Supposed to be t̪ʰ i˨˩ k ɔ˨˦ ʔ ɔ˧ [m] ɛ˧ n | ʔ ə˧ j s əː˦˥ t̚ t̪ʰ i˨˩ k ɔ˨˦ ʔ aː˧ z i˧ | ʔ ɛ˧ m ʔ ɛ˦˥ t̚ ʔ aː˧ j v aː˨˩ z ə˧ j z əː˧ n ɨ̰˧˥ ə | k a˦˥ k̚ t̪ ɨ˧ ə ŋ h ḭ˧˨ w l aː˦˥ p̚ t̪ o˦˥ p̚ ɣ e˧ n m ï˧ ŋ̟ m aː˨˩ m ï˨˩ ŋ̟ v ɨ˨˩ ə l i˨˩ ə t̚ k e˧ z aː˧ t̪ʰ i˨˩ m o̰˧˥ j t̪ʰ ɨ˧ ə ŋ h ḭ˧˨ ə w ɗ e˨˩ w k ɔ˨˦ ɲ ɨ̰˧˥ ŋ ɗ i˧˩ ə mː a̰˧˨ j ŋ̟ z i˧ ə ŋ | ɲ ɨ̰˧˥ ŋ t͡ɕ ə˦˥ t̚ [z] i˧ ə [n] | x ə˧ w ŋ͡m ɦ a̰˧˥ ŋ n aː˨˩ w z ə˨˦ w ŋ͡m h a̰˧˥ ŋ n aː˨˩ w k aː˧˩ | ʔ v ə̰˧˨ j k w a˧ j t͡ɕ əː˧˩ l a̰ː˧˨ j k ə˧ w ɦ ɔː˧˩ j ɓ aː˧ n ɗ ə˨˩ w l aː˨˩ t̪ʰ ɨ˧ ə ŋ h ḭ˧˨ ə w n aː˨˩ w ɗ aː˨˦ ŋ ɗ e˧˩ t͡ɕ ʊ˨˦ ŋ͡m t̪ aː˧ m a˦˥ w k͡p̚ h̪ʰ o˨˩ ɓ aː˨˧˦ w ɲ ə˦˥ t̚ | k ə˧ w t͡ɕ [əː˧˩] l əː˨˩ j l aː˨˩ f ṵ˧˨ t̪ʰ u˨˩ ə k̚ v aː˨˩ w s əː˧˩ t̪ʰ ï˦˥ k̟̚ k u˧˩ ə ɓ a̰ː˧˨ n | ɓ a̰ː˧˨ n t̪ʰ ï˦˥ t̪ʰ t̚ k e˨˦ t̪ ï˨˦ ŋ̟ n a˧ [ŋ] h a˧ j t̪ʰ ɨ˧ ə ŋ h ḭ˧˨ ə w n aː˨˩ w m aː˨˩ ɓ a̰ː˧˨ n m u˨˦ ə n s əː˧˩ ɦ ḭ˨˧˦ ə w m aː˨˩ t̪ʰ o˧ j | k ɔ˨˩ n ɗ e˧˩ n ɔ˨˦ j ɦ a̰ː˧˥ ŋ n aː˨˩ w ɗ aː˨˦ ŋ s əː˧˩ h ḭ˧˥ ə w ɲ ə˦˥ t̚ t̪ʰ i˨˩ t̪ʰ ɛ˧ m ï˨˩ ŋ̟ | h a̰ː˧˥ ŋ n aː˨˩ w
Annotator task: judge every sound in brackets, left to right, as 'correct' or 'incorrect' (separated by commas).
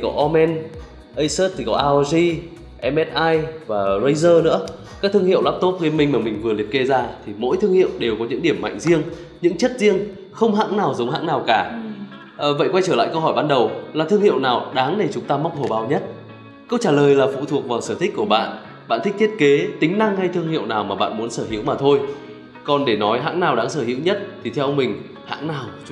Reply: correct, correct, incorrect, incorrect, correct